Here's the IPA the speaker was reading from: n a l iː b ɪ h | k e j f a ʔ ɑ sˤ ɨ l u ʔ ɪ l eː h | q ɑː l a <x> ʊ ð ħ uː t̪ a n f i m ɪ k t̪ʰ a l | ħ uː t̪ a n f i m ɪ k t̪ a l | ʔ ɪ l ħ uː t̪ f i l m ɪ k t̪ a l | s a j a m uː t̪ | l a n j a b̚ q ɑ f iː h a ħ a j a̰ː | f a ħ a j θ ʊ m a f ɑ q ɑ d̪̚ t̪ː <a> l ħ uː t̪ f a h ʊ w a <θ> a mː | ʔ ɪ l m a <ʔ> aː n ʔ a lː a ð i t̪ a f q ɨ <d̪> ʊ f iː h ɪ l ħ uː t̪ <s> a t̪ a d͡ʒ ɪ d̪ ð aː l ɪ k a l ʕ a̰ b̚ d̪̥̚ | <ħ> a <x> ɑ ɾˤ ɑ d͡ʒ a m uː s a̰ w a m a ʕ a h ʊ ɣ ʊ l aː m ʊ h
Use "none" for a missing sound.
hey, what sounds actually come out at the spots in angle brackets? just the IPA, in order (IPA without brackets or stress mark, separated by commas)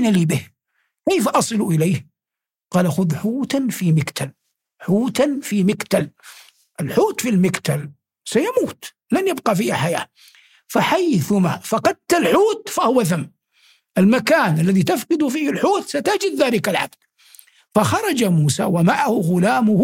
x, a, θ, k, d̪, s, f, x